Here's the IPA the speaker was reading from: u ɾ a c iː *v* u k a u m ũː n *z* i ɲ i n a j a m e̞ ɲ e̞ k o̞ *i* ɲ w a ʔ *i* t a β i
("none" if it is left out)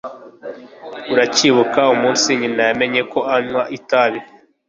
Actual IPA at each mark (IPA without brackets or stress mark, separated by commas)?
β, s, a, i